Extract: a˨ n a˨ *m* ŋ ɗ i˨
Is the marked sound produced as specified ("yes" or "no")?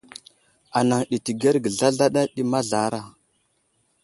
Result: no